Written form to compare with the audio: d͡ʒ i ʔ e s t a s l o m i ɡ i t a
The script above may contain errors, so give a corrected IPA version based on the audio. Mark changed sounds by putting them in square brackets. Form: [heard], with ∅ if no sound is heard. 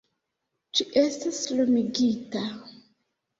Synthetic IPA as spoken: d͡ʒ i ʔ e s t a s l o m i ɡ i t a